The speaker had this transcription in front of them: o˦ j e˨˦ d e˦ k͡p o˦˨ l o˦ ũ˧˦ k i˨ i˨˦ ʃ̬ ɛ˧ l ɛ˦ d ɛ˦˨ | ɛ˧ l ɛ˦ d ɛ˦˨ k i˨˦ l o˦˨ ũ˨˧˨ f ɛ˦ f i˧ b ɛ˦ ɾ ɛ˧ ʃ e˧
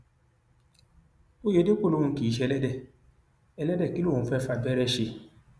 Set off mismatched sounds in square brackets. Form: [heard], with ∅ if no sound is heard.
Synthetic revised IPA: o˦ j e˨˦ d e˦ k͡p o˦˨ l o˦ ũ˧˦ k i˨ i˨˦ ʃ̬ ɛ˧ l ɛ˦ d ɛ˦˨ | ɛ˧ l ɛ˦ d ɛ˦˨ k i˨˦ l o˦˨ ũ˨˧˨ f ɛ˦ f [a˧] b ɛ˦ ɾ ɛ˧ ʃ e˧